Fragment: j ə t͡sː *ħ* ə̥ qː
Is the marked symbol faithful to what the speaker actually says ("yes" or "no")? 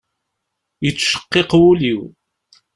no